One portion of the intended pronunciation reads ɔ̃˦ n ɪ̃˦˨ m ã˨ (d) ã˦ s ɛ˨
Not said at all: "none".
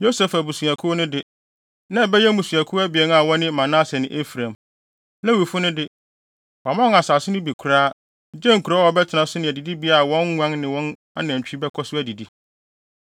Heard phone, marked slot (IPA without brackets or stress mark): n